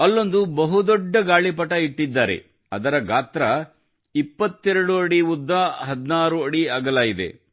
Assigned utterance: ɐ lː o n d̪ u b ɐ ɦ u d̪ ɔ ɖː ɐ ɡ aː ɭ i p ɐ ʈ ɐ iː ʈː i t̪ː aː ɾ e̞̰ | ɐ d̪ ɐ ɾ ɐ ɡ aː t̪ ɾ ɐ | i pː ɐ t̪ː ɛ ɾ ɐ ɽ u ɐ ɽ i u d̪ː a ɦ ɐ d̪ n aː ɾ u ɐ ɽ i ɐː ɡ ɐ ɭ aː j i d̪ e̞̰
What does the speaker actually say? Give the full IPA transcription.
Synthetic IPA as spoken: ɐ lː o n d̪ u b ɐ ɦ u d̪ ɔ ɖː ɐ ɡ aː ɭ i p ɐ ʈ ɐ i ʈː i d̪ː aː ɾ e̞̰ | ɐ d̪ ɐ ɾ ɐ ɡ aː t̪ ɾ ɐ | i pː ɐ t̪ː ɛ ɾ ɐ ɽ u ɐ ɽ i u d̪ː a ɦ ɐ d̪ n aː ɾ u ɐ ɽ i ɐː ɡ ɐ l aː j i d̪ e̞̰